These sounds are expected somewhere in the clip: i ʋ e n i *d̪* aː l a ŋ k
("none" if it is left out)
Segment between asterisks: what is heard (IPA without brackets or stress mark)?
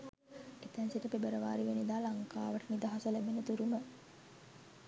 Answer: d̪